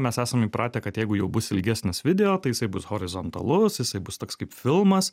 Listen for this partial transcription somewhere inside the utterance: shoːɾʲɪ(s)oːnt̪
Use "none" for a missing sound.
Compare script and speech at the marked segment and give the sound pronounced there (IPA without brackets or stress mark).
z